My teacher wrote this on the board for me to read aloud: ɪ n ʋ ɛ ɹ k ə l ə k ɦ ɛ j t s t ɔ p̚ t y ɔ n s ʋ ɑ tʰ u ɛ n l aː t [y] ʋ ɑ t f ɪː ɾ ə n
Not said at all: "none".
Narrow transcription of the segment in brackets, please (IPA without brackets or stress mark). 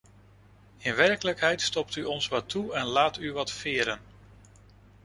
y